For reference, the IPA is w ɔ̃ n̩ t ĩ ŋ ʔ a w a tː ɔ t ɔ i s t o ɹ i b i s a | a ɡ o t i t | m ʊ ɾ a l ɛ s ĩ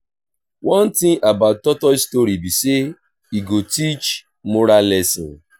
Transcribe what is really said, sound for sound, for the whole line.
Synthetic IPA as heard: w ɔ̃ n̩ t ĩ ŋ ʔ a b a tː ɔ t ɔ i s t o ɾ i b i s e | i ɡ o t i t͡ʃ | m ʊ ɾ a l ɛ s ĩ